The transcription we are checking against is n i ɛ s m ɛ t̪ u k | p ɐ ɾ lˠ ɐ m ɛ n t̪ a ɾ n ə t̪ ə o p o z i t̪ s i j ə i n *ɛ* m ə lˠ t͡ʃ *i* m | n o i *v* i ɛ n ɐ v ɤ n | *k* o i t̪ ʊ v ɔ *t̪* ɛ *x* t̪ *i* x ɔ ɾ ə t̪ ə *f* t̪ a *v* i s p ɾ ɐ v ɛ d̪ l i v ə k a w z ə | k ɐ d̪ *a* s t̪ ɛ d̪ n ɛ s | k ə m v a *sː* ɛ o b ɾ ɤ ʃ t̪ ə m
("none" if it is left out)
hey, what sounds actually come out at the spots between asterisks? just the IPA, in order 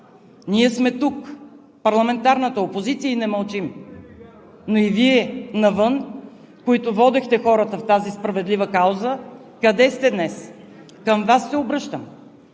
ɛ, i, v, k, d̪, x, ɛ, f, z, ɛ, sː

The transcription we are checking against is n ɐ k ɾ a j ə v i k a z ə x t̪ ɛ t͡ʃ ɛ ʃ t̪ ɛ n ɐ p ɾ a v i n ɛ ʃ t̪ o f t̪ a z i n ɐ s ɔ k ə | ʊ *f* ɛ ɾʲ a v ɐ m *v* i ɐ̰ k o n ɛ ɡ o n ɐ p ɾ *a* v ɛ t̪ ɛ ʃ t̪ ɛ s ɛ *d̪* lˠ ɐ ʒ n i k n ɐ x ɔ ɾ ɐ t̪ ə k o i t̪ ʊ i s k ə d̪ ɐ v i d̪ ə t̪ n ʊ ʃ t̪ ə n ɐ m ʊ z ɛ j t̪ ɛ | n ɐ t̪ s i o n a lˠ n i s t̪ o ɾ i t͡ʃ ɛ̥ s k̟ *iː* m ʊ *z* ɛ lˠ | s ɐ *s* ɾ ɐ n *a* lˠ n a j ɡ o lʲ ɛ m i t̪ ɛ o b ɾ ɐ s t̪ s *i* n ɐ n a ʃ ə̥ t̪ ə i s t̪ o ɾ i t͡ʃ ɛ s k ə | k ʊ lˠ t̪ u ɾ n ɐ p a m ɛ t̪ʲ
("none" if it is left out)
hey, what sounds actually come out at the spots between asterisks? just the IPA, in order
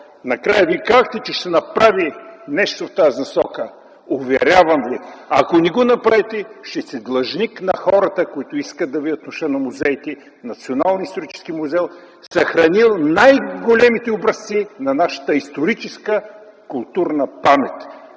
v, v, a, d̪, i, z, x, i, i

